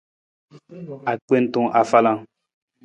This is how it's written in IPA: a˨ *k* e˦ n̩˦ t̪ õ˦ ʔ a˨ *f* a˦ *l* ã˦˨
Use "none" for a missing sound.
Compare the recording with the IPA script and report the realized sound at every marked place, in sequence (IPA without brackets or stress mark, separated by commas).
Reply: k͡p, f, l